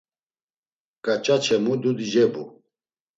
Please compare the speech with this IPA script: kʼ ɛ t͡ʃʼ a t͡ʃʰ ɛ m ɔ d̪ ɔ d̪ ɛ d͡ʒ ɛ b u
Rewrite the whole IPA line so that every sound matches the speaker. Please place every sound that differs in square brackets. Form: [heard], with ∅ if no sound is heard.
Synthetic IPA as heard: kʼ [a] t͡ʃʼ a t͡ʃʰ ɛ m [u] d̪ [u] d̪ [i] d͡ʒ ɛ b u